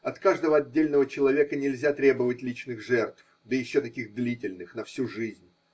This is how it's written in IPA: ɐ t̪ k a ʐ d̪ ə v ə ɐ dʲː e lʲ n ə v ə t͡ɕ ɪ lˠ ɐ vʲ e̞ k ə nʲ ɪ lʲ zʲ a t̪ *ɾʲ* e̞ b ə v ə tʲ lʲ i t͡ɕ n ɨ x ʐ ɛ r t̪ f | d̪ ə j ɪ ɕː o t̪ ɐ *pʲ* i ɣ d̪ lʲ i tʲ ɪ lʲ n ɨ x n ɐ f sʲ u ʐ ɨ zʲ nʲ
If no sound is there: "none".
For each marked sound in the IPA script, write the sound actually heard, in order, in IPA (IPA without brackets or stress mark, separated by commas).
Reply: ɾʲ, kʲ